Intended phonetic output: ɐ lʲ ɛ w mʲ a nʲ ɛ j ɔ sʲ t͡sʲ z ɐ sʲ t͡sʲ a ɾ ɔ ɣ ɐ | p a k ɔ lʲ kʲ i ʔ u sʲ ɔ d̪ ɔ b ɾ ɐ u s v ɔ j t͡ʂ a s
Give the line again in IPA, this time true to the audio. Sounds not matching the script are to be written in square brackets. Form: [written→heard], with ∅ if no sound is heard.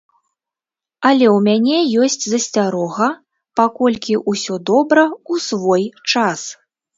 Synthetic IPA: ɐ lʲ ɛ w mʲ a nʲ ɛ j ɔ sʲ t͡sʲ z ɐ sʲ t͡sʲ a ɾ ɔ ɣ ɐ | p a k ɔ lʲ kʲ i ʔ u sʲ ɔ d̪ ɔ b ɾ ɐ u s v ɔ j t͡ʂ a s